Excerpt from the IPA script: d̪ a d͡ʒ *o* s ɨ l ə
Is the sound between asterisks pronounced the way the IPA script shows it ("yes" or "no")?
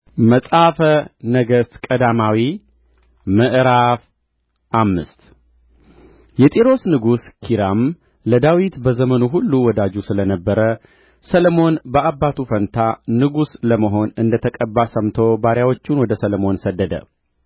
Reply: no